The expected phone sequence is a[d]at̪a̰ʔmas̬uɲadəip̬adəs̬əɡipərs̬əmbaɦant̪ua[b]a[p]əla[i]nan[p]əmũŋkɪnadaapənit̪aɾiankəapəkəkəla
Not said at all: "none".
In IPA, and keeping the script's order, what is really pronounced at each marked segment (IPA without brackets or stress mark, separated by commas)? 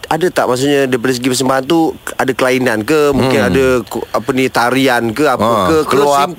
d, d, k, i, k